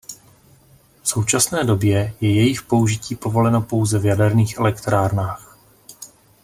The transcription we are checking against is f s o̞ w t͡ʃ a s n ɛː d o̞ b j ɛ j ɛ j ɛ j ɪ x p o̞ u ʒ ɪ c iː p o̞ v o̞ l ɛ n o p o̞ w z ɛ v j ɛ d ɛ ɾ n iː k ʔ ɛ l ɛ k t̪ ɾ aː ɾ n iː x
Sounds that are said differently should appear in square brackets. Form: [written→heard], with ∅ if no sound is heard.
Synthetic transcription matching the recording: f s o̞ w t͡ʃ a s n ɛː d o̞ b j ɛ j ɛ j ɛ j ɪ x p o̞ u ʒ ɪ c iː p o̞ v o̞ l ɛ n o p o̞ w z ɛ v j [ɛ→a] d ɛ ɾ n iː [k→x] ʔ ɛ l ɛ k t̪ ɾ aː ɾ n [iː→aː] x